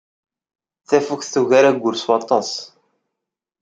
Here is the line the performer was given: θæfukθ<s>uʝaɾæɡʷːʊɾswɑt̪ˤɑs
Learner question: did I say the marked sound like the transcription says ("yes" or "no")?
no